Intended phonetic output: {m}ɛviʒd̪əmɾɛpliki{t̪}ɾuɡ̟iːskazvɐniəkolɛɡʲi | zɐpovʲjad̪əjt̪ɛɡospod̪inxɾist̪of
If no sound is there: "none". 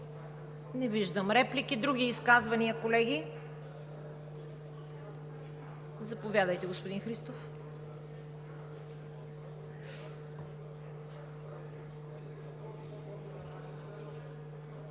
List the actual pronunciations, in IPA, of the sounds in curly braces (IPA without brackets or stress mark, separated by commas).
n, d̪